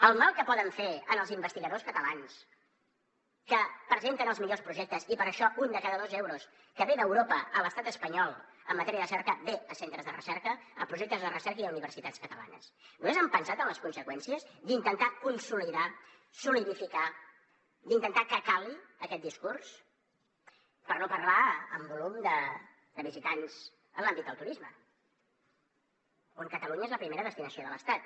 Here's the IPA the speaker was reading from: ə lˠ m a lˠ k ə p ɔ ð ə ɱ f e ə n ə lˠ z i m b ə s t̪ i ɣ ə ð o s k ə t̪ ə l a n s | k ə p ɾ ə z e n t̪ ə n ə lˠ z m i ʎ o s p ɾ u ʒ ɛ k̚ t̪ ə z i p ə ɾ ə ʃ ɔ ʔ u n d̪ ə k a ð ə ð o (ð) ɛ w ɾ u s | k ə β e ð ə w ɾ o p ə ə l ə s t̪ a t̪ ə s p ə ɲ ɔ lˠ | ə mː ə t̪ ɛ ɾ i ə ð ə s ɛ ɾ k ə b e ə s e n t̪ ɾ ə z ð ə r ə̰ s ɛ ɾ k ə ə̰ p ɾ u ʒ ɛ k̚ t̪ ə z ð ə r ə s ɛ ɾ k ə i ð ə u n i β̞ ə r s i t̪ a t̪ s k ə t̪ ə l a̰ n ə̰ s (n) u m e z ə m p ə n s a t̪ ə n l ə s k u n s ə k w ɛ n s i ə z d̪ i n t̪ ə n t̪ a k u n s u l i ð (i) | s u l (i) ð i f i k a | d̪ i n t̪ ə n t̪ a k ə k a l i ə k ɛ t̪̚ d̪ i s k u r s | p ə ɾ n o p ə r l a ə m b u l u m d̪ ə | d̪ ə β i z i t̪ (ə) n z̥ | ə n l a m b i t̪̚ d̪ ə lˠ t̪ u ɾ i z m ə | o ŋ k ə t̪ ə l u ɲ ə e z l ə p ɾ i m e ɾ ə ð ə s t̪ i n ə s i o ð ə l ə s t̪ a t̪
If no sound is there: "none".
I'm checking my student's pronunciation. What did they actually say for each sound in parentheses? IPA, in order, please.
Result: z, n, a, i, a

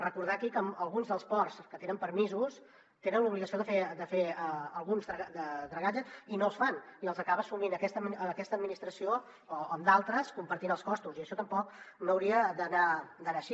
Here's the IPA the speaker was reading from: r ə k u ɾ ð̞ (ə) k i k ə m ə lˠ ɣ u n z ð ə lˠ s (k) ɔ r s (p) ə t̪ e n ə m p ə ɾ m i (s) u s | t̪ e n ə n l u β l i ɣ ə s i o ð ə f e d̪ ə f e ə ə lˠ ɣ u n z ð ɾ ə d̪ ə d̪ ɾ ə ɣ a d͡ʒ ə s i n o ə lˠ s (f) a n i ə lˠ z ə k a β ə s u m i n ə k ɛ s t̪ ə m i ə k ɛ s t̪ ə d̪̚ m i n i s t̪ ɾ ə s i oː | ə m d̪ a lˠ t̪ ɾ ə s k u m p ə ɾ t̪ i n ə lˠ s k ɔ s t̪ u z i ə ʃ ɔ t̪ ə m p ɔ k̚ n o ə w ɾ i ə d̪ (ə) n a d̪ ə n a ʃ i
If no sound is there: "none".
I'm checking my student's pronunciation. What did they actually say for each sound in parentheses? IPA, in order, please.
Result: a, p, k, z, f, ə

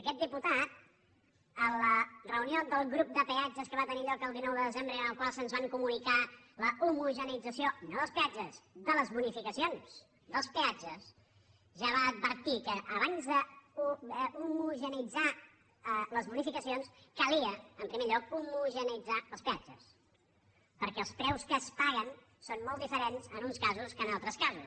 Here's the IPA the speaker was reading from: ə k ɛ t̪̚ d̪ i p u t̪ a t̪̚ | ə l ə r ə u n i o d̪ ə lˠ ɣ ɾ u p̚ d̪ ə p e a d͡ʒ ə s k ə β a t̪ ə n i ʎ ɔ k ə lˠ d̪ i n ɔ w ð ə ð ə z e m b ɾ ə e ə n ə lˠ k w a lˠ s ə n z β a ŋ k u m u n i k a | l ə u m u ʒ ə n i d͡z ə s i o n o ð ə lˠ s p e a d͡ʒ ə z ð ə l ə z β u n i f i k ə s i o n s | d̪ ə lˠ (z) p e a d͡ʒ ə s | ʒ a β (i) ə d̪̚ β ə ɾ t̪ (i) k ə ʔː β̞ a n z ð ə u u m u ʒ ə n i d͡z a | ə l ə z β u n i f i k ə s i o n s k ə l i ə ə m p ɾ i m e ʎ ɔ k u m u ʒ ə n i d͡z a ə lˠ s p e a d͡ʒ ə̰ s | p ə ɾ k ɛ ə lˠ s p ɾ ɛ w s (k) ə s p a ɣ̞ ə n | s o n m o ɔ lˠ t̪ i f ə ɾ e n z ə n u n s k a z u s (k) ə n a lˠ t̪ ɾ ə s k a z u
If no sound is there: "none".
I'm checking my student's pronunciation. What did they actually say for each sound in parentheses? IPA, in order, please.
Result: s, a, i, k, k

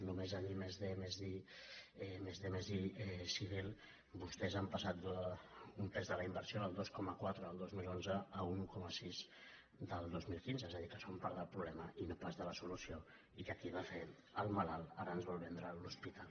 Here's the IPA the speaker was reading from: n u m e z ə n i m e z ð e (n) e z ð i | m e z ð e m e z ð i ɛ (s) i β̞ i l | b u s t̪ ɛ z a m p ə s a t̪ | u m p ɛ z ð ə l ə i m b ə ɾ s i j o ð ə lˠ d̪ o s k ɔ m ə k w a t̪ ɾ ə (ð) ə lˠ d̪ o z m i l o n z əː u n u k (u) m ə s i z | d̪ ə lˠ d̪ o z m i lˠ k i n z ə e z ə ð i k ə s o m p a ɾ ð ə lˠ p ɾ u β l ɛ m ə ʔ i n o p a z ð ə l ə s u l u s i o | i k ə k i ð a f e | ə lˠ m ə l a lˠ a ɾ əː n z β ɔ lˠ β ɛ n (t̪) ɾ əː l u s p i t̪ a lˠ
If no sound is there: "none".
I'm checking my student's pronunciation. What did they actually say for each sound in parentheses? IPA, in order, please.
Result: m, s, ð, ɔ, d̪

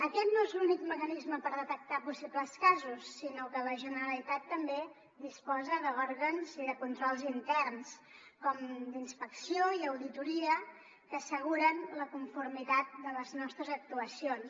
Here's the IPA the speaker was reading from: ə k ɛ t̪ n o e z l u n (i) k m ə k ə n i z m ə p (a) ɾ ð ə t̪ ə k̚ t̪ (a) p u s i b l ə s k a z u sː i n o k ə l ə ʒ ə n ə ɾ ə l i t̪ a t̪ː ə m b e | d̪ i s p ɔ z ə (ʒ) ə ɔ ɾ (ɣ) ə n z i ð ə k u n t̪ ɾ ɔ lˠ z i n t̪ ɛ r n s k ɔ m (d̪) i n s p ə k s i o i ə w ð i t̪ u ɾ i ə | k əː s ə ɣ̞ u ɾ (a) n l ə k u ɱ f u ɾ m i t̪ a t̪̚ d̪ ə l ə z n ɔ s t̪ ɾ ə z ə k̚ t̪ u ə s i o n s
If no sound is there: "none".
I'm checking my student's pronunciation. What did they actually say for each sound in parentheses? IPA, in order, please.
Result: i, ə, a, ð, ɣ, d̪, ə

